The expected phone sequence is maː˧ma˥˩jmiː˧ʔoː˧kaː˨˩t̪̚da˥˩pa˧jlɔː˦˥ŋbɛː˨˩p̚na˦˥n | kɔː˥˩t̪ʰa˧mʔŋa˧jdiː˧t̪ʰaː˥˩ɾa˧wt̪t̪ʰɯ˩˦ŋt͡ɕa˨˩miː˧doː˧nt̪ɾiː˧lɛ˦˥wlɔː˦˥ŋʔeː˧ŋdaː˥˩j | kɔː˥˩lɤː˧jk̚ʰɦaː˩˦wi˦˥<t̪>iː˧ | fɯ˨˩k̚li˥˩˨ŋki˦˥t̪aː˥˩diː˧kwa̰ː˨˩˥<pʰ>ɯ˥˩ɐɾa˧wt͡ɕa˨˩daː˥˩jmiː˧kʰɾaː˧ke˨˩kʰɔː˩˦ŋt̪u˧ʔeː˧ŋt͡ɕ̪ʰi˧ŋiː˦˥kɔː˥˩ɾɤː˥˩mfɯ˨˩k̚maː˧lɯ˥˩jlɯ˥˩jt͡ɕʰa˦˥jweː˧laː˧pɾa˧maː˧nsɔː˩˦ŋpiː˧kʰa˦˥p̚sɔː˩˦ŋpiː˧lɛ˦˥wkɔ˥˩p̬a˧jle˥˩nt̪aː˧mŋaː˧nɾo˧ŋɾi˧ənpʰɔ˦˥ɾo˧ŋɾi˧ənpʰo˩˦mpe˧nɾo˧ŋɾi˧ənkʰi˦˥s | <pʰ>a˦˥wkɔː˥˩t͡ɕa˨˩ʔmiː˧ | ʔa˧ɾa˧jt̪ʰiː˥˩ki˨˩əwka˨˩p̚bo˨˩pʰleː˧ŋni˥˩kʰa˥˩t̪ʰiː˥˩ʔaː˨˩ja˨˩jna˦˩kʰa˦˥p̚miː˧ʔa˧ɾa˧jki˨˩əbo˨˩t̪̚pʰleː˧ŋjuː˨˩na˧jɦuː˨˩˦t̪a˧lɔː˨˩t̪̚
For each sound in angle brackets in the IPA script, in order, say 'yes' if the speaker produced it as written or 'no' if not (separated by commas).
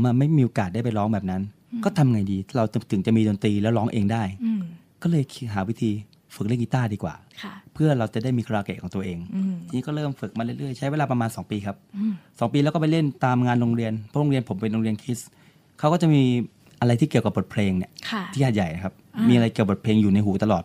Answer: no, yes, no